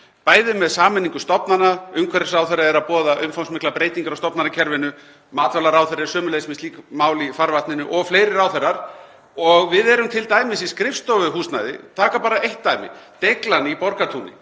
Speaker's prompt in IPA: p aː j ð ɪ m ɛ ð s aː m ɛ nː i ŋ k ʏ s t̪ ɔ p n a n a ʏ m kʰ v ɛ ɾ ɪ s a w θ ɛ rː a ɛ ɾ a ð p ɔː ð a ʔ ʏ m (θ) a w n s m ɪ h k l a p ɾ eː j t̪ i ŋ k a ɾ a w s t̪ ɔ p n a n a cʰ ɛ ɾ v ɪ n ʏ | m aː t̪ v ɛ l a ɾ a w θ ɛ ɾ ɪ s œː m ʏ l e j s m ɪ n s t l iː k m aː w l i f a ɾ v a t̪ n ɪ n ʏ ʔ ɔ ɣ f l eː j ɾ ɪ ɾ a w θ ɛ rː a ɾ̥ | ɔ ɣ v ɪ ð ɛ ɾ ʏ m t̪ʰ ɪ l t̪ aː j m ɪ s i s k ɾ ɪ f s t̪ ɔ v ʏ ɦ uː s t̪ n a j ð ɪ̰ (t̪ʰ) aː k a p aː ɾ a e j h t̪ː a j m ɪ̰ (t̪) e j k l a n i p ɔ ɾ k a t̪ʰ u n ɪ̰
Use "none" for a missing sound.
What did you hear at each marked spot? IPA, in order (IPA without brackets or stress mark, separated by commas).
f, t̪ʰ, t̪